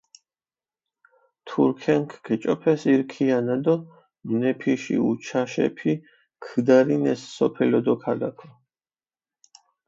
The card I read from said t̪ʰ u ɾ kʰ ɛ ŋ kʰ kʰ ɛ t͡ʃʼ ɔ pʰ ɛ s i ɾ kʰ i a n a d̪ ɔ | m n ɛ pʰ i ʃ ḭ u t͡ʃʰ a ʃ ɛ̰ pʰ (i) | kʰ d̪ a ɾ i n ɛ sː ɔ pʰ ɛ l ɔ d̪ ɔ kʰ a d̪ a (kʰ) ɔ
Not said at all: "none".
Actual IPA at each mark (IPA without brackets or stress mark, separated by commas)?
i, kʰ